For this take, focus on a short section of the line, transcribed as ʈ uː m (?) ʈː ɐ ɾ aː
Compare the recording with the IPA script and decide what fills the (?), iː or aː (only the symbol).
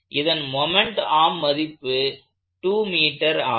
iː